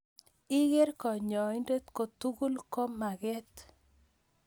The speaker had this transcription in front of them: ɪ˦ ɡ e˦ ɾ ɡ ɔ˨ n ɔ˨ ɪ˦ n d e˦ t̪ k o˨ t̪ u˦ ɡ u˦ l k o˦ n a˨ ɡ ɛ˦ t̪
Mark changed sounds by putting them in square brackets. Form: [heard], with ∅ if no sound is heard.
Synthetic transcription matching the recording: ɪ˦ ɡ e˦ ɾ [k] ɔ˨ [ɲ] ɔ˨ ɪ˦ n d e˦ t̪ k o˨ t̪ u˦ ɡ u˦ l k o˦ [m] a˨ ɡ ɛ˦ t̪